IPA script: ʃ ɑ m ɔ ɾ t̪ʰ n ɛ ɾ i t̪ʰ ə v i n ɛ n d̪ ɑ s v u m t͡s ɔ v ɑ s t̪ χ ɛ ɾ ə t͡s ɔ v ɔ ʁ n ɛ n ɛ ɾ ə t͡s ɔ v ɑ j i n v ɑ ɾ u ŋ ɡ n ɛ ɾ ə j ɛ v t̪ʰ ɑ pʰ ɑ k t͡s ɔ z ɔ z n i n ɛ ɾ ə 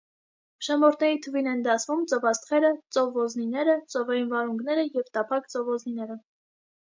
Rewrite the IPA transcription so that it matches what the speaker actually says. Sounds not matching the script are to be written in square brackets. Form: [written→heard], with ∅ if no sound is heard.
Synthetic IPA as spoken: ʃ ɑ m ɔ ɾ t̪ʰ n ɛ ɾ i t̪ʰ ə v i n ɛ n d̪ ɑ s v u m t͡s ɔ v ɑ s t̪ χ ɛ ɾ ə t͡s ɔ v ɔ [ʁ→z] n [ɛ→i] n ɛ ɾ ə t͡s ɔ v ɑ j i n v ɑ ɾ u ŋ ɡ n ɛ ɾ ə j ɛ v [t̪ʰ→t̪] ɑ pʰ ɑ k t͡s ɔ [z→v] ɔ z n i n ɛ ɾ ə